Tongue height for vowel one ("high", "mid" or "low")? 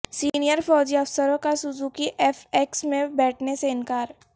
high